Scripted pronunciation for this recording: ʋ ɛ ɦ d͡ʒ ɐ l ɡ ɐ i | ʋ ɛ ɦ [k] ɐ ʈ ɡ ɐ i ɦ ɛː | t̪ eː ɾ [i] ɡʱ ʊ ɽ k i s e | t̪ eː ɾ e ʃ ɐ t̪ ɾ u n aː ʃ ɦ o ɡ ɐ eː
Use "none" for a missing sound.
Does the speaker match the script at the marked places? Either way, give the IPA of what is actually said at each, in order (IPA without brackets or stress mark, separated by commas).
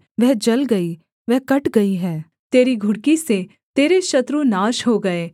k, i